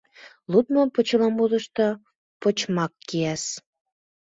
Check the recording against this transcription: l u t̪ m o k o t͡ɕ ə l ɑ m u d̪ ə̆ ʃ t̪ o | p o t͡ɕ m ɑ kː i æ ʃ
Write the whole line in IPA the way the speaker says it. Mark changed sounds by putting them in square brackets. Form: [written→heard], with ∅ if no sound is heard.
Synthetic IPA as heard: l u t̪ m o [k→p] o t͡ɕ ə l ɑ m u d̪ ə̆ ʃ t̪ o | p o t͡ɕ m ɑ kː i æ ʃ